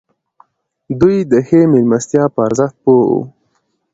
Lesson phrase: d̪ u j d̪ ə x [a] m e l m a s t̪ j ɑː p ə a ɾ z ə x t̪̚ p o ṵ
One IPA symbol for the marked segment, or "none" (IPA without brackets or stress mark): e